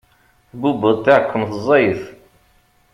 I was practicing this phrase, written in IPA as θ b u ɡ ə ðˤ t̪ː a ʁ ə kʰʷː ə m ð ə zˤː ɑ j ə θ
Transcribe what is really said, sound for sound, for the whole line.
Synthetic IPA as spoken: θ b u b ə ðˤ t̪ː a ʕ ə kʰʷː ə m θ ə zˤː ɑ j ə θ

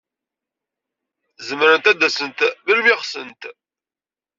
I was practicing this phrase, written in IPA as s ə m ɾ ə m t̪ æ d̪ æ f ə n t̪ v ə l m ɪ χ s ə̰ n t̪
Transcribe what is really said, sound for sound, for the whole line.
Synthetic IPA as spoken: z ə m ɾ ə n t̪ æ d̪ æ s ə n t̪ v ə l m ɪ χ s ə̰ n t̪

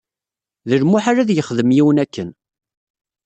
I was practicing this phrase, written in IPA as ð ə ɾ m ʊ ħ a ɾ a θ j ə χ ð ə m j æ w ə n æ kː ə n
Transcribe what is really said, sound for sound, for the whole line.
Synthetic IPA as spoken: ð ə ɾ m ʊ ħ a ɾ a ð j ə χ ð ə m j i w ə n æ kː ə n

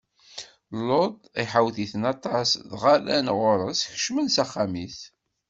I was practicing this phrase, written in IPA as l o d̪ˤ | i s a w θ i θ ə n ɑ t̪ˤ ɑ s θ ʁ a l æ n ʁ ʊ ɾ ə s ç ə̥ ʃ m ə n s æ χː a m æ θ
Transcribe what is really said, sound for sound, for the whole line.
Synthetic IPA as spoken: l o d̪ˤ | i ħ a w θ i θ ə n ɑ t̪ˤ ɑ s ð ʁ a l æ n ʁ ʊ ɾ ə s ç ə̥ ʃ m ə n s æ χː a m i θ

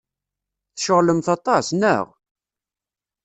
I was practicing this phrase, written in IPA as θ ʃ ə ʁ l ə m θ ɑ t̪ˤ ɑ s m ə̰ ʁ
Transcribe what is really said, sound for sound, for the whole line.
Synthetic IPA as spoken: θ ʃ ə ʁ l ə m θ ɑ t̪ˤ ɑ s n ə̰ ʁ

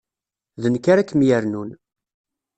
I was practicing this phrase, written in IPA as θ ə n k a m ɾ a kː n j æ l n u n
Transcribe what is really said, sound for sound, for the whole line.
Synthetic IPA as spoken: ð ə n k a ɾ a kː m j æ ɾ n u n

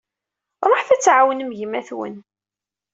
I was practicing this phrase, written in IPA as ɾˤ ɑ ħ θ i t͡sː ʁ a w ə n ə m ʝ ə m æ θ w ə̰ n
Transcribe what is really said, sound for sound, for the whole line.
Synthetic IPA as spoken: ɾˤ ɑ ħ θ æ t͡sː ʕ a w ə n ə m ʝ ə m æ θ w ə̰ n

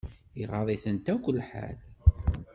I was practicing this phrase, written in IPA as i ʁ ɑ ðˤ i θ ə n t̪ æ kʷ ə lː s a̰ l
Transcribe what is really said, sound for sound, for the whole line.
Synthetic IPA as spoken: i ʁ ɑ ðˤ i θ ə n t̪ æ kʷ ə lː ħ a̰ l

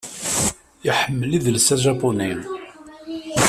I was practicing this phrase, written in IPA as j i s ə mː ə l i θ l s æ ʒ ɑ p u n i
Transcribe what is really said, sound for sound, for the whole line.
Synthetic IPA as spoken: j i ħ ə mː ə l i ð l s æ ʒ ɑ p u n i

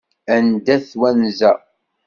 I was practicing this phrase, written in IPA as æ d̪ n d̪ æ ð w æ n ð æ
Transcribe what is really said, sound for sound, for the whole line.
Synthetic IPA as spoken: æ n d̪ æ θ w æ n z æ

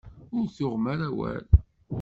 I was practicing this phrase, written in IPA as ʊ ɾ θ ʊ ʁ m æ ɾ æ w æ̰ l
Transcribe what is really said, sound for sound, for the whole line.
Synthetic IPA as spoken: ʊ ɾ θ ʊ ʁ m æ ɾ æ w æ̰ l

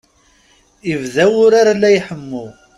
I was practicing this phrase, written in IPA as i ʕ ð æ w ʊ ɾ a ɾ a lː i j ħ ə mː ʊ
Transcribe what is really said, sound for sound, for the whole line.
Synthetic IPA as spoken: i v ð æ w ʊ ɾ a ɾ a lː æ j ħ ə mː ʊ

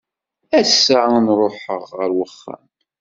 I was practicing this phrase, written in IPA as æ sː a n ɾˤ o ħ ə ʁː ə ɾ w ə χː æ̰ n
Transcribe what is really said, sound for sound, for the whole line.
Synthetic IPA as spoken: æ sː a n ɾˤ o ħ ə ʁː ə ɾ w ə χː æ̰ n

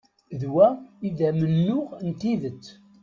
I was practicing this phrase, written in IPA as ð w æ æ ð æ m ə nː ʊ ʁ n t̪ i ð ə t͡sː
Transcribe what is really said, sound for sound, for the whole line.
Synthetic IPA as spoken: ð w æ i ð æ m ə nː ʊ ʁ n t̪ i ð ə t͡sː

